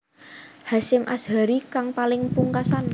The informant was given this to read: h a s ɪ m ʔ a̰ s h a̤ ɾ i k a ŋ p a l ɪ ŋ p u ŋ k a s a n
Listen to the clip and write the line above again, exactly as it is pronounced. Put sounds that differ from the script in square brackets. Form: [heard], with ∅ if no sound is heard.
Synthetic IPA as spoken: h a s ɪ m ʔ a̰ s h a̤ ɾ i k a ŋ p a l ɪ ŋ p u ŋ k a s a n